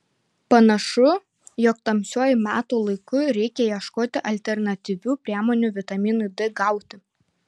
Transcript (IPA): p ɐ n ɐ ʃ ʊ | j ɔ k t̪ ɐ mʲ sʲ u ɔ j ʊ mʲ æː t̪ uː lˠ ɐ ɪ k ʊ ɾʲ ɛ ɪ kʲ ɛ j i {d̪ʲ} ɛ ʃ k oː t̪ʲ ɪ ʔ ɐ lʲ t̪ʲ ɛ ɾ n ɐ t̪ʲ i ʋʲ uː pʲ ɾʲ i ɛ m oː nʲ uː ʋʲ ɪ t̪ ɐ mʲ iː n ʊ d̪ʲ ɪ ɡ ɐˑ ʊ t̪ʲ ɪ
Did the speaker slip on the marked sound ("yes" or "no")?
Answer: yes